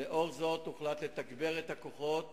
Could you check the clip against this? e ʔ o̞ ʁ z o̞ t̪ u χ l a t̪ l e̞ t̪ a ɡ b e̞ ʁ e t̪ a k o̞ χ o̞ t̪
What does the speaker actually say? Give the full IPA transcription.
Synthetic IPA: e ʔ o̞ ʁ z o̞ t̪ u χ l a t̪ l e̞ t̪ a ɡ b e̞ ʁ e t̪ a k o̞ χ o̞ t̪

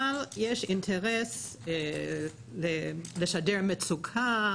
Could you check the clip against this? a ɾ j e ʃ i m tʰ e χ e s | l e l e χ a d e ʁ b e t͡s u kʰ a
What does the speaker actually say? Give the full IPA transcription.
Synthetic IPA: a l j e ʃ i n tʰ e ʁ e s | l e l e ʃ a d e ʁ m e t͡s u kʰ a

